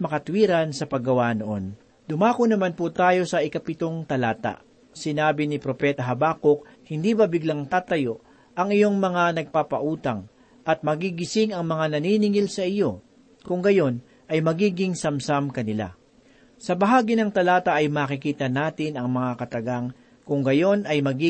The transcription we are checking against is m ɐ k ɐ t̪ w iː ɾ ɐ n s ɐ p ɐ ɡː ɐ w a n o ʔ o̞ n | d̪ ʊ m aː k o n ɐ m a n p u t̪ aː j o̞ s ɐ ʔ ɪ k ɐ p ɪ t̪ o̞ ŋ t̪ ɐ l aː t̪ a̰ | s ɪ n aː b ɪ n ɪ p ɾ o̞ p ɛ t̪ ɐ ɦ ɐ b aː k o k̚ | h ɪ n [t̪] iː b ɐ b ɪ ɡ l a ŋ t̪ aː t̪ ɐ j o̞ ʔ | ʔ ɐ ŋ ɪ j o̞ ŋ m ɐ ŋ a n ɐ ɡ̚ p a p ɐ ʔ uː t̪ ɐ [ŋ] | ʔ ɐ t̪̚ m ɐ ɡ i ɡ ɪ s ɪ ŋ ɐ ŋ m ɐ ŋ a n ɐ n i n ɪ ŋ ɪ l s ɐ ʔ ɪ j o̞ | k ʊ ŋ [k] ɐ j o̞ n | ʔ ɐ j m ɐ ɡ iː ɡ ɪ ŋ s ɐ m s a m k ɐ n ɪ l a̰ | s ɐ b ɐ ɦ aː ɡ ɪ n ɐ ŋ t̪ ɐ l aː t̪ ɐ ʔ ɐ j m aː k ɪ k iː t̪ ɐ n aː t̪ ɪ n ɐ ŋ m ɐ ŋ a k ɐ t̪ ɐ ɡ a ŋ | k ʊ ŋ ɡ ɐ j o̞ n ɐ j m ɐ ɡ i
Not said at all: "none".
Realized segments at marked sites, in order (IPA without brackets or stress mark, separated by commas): d̪, ŋ, ɡ